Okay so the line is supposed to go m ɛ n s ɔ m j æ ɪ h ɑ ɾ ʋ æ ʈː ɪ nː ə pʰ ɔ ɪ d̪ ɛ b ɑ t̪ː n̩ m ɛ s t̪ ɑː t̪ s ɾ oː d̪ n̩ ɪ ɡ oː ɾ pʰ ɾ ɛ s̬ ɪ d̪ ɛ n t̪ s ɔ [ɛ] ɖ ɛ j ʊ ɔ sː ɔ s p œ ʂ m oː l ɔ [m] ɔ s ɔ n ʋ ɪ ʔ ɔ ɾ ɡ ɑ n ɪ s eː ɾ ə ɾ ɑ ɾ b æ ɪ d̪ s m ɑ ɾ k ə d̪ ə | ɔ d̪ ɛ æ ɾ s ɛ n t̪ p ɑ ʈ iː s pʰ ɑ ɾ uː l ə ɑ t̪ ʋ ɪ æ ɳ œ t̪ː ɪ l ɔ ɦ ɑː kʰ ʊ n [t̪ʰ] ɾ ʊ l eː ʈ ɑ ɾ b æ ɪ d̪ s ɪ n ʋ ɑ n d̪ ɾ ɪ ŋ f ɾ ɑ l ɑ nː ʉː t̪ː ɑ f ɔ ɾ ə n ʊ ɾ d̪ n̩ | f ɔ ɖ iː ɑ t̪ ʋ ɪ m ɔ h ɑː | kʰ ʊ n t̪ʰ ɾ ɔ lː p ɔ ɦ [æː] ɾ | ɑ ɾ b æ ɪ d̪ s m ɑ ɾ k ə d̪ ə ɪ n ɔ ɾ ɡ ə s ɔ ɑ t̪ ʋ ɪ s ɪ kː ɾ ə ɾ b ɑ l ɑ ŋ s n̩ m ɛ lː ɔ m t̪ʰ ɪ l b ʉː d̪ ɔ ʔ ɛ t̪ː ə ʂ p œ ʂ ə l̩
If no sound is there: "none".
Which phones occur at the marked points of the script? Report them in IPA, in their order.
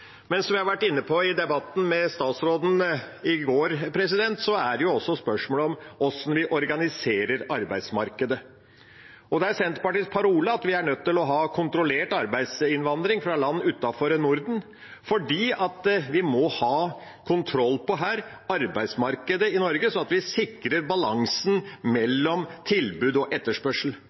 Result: æ, m, t̪, æː

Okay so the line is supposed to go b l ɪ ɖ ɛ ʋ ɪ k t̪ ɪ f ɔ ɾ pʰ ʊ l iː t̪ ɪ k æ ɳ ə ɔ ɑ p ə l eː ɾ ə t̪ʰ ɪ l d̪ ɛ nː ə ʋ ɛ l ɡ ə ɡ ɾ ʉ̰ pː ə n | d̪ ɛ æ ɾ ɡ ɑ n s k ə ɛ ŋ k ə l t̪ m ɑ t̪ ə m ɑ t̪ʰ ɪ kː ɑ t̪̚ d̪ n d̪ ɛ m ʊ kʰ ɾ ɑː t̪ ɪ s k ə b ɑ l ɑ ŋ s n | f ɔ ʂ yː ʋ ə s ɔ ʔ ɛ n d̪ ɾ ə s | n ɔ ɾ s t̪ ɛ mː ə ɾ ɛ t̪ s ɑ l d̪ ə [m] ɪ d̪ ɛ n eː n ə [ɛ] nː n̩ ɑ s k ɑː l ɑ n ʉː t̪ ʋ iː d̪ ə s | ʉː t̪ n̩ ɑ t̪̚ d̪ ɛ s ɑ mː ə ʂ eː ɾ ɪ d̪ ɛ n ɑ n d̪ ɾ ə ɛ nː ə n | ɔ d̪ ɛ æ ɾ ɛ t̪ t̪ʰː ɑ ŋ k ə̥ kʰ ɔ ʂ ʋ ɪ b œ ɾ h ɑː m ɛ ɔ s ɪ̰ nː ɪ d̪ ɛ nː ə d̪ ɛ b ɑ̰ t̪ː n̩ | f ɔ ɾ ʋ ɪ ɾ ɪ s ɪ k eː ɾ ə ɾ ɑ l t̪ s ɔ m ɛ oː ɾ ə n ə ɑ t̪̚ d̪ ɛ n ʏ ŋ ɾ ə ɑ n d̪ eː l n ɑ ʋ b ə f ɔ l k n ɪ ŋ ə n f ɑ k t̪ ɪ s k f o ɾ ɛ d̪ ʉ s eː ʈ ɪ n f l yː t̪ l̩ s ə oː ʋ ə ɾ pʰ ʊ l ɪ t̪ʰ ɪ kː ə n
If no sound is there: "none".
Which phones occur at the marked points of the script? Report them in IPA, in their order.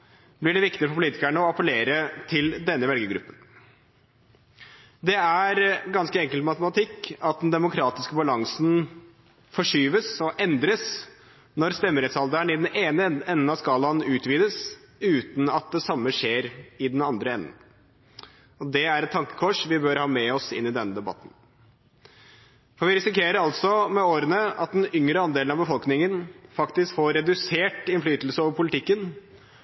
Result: ɳ, ɛ

